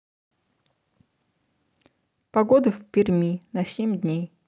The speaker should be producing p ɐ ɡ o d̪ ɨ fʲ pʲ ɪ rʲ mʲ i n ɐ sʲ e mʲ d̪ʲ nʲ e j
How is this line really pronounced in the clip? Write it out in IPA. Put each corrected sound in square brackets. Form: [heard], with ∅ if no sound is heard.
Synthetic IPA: p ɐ ɡ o d̪ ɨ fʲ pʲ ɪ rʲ mʲ i n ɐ sʲ e mʲ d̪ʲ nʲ e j

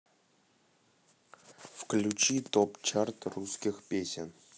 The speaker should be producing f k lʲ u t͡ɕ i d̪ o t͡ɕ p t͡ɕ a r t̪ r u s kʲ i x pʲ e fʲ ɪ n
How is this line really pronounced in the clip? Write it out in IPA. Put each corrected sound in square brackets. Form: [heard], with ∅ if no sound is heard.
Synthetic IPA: f k lʲ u t͡ɕ i [t̪] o [∅] p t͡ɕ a r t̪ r u s kʲ i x pʲ e [sʲ] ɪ n

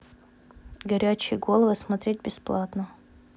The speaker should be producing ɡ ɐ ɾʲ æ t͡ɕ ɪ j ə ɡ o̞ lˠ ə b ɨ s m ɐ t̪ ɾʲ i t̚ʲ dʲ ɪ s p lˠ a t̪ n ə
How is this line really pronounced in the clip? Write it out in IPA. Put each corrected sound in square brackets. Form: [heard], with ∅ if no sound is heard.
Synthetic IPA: ɡ ɐ ɾʲ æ t͡ɕ ɪ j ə ɡ o̞ lˠ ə [v] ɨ s m ɐ t̪ ɾʲ [e] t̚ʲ [bʲ] ɪ s p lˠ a t̪ n ə

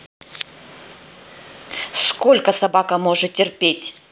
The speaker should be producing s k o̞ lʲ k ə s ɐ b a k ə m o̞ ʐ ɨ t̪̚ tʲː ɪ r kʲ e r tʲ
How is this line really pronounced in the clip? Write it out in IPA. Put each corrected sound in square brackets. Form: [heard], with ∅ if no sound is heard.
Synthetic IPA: s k o̞ lʲ k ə s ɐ b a k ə m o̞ ʐ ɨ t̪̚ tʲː ɪ r [pʲ] e [∅] tʲ

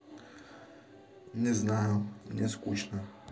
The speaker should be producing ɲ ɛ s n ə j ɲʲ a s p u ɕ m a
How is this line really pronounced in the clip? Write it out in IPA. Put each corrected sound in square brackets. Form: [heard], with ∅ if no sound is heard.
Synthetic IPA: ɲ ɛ [z] n [a] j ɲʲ [ɛ] s [k] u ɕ [n] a

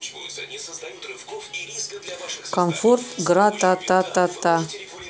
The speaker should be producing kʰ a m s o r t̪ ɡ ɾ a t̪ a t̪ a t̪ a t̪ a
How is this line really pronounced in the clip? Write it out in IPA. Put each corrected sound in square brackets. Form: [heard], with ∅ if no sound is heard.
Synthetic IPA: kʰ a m [f] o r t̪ ɡ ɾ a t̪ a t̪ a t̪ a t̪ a

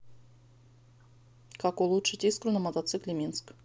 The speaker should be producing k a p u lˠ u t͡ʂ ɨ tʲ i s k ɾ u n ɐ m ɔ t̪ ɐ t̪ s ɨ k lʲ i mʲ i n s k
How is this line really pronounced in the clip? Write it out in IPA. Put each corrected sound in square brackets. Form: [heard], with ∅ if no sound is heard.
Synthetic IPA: k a [k] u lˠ u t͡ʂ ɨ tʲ i s k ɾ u n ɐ m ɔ t̪ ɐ t̪ s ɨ k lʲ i mʲ i n s k

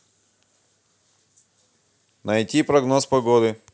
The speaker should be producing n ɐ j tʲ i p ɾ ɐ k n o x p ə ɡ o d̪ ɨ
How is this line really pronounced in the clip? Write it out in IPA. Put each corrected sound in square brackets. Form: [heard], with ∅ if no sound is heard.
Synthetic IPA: n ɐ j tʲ i p ɾ ɐ [ɡ] n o [s] p [ɐ] ɡ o d̪ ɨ

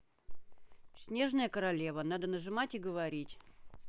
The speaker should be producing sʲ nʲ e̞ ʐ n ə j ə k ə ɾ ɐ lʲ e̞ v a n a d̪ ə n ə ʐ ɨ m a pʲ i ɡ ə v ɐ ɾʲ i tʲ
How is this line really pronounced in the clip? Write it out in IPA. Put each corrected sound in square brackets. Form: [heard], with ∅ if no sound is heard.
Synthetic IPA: sʲ nʲ e̞ ʐ n ə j ə k ə ɾ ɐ lʲ e̞ v [ə] n a d̪ ə n ə ʐ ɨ m a [tʲ] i ɡ ə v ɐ ɾʲ i tʲ

